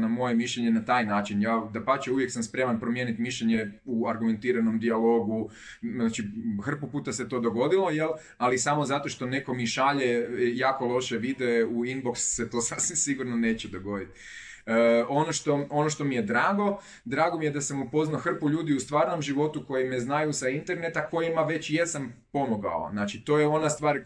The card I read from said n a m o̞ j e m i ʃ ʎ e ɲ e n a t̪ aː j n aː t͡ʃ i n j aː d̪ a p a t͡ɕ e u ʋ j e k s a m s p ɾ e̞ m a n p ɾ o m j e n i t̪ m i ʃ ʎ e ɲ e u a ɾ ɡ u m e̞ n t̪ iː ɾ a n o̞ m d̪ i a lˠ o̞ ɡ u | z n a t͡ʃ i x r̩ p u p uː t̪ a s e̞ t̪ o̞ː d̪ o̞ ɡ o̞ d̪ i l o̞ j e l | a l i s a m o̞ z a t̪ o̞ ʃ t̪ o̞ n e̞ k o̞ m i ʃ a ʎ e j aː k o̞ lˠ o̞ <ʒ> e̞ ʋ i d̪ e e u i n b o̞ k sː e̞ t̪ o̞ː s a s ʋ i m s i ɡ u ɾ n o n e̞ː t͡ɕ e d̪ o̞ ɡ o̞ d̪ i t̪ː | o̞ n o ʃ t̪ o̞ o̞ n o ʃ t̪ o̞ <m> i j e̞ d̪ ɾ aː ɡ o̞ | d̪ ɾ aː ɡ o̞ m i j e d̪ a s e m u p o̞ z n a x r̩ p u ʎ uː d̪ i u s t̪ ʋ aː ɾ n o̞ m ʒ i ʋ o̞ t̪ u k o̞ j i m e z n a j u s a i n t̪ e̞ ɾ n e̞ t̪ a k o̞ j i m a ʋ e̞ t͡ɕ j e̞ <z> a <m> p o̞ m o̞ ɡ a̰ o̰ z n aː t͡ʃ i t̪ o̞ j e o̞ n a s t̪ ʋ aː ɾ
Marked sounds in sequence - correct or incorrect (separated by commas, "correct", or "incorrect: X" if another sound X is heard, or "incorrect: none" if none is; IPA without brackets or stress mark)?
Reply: incorrect: ʃ, correct, incorrect: s, correct